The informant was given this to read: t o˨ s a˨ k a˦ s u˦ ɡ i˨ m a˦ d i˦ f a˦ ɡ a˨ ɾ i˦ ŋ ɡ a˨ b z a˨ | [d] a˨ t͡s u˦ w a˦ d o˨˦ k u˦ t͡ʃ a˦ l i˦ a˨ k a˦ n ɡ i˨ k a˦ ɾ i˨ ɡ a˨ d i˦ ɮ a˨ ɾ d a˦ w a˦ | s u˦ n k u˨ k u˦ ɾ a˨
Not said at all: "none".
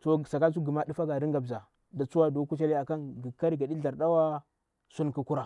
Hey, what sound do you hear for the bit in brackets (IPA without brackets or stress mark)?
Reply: d